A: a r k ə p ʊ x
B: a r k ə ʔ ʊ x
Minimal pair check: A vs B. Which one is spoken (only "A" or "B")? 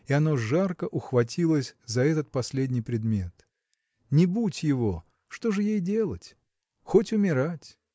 B